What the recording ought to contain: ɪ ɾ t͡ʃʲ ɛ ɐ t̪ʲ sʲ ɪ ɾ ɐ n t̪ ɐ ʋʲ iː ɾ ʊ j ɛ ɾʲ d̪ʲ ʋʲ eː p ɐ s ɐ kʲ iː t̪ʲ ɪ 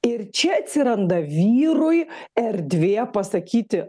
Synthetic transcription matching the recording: ɪ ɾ t͡ʃʲ ɛ ɐ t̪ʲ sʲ ɪ ɾ ɐ n d̪ ɐ ʋʲ iː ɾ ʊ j ɛ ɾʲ d̪ʲ ʋʲ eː p ɐ s ɐ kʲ iː t̪ʲ ɪ